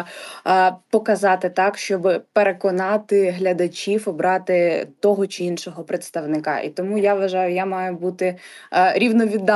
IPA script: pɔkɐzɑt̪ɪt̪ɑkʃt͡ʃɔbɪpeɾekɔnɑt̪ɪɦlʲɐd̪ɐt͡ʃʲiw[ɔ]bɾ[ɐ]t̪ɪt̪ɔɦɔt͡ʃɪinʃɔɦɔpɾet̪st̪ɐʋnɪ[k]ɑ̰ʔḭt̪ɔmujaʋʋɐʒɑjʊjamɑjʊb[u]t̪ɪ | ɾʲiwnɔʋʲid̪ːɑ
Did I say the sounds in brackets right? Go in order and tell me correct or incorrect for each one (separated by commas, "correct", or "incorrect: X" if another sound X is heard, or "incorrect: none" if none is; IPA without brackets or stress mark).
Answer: correct, incorrect: ɑ, correct, correct